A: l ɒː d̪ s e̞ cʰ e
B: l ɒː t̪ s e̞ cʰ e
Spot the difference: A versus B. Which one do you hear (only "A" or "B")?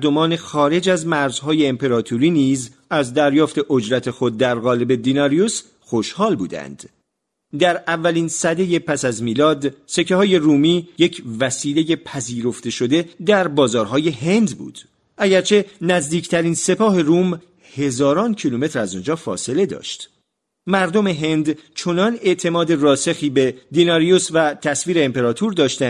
A